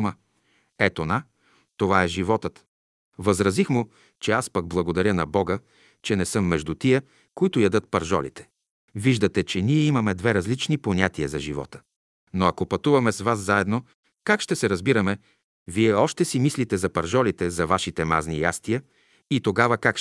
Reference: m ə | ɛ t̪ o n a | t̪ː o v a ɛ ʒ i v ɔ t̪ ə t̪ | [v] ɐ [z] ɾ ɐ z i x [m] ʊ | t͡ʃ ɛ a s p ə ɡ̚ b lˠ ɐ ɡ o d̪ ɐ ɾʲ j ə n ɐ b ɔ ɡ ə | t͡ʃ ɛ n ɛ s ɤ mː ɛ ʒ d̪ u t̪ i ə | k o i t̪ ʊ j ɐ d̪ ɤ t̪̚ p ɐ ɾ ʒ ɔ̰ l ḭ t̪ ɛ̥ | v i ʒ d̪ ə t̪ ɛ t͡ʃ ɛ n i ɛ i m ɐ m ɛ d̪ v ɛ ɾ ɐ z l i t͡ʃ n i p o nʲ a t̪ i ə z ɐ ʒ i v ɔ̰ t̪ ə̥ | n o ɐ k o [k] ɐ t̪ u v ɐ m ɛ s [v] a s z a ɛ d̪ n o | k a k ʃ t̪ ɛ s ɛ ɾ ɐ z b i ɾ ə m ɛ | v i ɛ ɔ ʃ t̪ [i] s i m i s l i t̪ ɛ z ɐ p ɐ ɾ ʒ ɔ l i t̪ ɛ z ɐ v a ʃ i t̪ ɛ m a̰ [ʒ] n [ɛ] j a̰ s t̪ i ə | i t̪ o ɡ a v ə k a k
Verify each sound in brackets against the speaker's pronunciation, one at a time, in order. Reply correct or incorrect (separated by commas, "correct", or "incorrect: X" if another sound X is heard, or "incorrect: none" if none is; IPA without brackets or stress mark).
correct, correct, correct, incorrect: p, correct, incorrect: ɛ, incorrect: z, incorrect: i